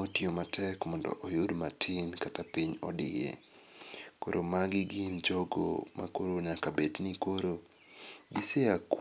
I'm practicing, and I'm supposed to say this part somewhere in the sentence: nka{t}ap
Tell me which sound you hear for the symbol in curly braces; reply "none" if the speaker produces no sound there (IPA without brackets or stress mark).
t